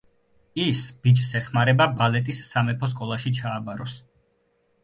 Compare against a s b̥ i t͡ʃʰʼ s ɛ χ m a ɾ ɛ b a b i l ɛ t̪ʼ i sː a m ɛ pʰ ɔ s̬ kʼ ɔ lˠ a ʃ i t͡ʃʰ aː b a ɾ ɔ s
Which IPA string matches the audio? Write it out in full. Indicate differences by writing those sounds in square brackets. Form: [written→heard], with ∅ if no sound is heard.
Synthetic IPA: [a→i] s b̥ i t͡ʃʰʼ s ɛ χ m a ɾ ɛ b a b [i→a] l ɛ t̪ʼ i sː a m ɛ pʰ ɔ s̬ kʼ ɔ lˠ a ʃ i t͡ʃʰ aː b a ɾ ɔ s

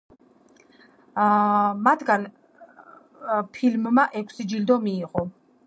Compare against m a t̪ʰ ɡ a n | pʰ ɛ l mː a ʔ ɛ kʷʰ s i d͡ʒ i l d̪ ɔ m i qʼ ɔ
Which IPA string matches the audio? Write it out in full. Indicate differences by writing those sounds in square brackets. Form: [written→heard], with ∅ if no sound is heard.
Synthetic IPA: m a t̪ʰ ɡ a n | pʰ [ɛ→i] l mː a ʔ ɛ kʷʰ s i d͡ʒ i l d̪ ɔ m [i→iː] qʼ ɔ

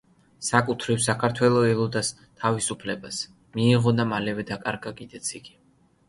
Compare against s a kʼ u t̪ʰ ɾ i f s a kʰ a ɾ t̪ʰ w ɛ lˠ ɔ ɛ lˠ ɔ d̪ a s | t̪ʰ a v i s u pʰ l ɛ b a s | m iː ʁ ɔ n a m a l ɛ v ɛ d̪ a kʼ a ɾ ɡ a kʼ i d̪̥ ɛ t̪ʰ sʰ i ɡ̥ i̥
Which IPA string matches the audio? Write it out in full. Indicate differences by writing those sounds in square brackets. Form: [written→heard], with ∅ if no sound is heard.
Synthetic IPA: s a kʼ u t̪ʰ ɾ i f s a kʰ a ɾ t̪ʰ w ɛ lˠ ɔ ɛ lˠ ɔ d̪ a s | t̪ʰ a v i s u pʰ l ɛ b a s | m iː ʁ ɔ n a m a l ɛ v ɛ d̪ a kʼ a ɾ ɡ a kʼ i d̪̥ ɛ [t̪ʰ→t̪] sʰ i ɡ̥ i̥

